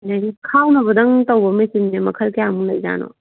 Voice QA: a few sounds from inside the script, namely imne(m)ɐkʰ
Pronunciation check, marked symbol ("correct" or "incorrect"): correct